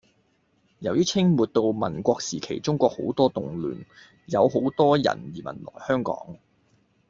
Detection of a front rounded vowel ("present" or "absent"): present